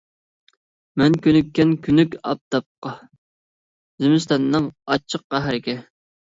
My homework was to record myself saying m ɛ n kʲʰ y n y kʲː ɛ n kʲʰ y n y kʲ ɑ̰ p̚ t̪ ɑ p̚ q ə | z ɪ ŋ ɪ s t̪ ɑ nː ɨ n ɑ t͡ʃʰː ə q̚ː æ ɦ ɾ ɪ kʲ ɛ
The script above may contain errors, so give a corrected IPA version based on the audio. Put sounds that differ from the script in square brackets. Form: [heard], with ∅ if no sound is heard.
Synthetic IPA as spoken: m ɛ n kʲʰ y n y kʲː ɛ n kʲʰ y n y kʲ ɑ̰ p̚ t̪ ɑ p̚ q [ɑ] | z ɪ [m] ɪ s t̪ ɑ nː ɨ [ŋ] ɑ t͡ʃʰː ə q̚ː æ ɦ ɾ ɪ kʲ ɛ